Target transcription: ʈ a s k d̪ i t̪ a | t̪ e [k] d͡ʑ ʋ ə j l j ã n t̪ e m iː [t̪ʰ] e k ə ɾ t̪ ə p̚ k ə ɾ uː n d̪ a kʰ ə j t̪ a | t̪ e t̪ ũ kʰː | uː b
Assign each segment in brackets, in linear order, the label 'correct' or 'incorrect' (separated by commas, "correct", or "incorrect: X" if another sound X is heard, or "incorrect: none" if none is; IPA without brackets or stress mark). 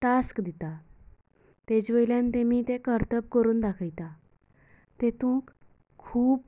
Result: incorrect: none, incorrect: t̪